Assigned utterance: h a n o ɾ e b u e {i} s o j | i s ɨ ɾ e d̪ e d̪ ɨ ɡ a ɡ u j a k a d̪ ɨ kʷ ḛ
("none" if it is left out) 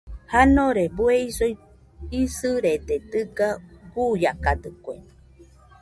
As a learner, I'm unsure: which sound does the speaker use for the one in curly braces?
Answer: i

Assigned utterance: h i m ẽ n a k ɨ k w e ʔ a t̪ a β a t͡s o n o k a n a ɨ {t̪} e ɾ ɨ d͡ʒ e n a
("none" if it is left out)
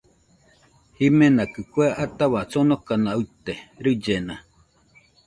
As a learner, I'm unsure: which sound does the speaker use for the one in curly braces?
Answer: t̪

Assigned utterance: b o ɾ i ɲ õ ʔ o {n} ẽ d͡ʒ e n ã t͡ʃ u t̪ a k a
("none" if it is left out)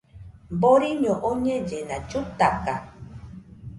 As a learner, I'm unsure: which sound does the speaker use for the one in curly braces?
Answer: ɲ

